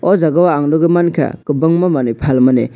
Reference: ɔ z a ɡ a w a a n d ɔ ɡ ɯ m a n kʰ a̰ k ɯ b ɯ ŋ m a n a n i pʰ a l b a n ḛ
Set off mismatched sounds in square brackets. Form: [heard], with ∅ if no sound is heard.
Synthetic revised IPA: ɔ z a ɡ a w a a [ŋ] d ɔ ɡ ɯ m a n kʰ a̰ k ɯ b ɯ ŋ m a [m] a n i pʰ a l [m] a n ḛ